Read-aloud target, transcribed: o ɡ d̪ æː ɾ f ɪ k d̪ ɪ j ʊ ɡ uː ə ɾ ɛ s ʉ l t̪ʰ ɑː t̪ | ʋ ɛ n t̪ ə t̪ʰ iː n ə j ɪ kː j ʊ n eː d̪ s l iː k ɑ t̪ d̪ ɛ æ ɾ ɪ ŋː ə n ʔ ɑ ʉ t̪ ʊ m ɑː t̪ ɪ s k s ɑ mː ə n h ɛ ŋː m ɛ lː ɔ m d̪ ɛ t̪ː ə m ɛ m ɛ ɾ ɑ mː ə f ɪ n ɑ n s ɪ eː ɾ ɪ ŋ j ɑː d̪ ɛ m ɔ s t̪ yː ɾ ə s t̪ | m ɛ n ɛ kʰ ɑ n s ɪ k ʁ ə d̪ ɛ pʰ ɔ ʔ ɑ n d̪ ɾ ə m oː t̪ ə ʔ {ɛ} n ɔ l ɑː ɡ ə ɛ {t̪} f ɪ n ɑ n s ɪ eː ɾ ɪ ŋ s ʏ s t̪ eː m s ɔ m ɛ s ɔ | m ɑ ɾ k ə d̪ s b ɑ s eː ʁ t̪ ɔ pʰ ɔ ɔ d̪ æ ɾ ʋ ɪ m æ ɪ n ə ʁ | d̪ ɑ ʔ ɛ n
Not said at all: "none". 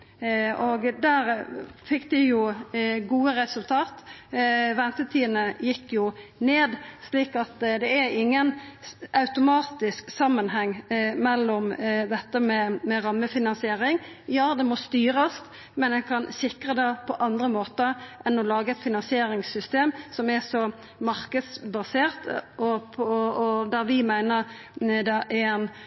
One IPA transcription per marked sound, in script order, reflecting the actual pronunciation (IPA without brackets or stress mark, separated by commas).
ɛ, t̪